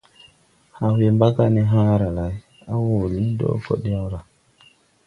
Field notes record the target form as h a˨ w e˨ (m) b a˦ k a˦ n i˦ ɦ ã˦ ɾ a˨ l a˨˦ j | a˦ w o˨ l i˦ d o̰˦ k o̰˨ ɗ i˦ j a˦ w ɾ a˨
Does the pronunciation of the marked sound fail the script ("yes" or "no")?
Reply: no